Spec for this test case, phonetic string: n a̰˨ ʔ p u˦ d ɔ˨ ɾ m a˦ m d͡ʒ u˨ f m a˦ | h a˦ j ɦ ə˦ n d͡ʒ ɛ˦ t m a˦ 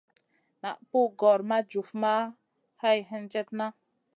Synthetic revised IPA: n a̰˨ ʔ p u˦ ɡ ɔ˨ ɾ m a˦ d͡ʒ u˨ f m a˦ | h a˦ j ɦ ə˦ n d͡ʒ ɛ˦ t n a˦